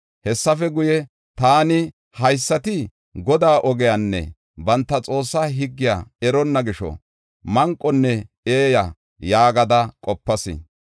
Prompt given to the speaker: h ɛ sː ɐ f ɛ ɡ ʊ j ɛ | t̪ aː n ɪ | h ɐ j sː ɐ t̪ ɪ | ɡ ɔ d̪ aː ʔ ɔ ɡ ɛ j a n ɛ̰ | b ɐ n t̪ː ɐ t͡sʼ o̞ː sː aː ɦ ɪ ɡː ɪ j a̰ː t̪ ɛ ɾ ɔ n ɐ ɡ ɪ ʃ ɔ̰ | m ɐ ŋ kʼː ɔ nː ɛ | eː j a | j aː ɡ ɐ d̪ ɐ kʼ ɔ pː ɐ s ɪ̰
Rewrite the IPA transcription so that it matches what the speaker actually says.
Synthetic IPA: h ɛ sː ɐ f ɛ ɡ ʊ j ɛ | t̪ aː n ɪ | h ɐ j sː ɐ t̪ ɪ | ɡ ɔ d̪ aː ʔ ɔ ɡ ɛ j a nː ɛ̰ | b ɐ n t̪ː ɐ t͡sʼ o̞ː sː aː ɦ ɪ ɡː ɪ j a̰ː ɛ ɾ ɔ nː ɐ ɡ ɪ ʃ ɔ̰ | m ɐ ŋ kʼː ɔ nː ɛ | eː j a | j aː ɡ ɐ d̪ ɐ kʼ ɔ pː ɐ s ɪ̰